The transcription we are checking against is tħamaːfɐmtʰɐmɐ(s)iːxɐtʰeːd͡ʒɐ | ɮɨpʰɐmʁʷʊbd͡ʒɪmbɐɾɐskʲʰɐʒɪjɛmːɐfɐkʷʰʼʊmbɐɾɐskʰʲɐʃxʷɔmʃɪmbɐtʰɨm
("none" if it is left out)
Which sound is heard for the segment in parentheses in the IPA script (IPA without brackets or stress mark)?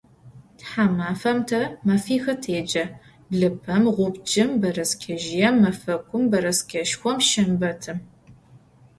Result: f